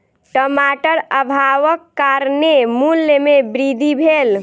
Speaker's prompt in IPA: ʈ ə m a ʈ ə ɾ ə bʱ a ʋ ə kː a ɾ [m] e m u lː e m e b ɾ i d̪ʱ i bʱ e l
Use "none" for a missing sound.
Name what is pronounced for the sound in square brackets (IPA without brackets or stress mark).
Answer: n